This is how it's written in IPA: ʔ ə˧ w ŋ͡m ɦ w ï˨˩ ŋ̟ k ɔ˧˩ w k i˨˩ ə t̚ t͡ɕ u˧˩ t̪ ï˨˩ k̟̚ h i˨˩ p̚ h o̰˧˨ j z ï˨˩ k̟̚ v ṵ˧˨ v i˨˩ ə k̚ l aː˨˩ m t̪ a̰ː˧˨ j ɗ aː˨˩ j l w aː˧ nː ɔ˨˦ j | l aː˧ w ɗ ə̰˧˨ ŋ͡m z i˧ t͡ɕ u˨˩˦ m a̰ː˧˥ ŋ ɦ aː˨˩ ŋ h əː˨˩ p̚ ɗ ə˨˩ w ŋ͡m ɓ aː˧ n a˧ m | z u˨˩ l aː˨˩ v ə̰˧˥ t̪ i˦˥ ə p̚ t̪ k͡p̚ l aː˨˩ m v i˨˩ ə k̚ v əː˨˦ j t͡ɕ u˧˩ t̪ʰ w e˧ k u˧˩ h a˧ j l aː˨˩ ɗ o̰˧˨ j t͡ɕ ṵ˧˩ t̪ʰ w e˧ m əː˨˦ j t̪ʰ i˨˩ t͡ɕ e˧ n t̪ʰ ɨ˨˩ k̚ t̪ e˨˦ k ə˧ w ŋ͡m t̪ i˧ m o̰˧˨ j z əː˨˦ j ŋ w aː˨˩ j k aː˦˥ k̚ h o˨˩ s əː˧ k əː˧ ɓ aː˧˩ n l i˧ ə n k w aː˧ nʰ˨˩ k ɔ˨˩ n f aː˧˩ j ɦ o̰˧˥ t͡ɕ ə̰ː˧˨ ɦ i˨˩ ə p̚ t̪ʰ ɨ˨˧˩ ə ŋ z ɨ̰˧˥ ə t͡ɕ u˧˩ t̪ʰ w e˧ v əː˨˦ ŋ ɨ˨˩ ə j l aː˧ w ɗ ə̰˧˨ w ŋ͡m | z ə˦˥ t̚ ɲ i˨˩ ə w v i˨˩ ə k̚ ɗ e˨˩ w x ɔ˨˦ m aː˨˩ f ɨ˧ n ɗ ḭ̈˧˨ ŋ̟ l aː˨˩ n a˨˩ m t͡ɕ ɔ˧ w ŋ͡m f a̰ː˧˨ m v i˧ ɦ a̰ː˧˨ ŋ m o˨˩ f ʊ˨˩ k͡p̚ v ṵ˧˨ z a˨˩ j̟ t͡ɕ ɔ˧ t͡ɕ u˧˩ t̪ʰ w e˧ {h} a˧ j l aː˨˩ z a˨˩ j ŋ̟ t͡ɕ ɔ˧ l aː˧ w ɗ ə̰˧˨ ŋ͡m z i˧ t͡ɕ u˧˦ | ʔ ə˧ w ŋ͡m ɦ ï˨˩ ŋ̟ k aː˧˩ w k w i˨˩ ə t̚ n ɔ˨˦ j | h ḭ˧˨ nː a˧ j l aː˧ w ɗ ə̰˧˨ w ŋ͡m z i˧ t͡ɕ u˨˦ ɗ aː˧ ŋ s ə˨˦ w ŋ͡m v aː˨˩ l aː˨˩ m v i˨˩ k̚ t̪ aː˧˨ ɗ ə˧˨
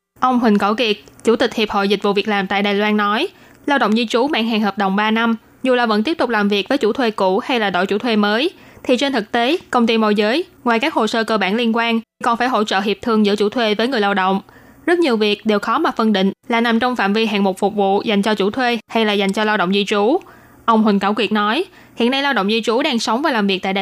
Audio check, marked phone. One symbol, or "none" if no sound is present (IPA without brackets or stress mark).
h